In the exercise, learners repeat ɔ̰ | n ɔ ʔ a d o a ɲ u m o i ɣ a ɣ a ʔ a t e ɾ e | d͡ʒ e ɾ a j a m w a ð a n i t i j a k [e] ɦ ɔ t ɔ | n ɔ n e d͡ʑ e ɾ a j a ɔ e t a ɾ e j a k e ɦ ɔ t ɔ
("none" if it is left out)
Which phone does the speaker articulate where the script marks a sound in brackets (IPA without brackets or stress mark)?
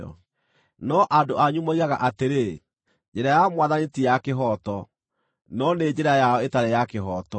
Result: e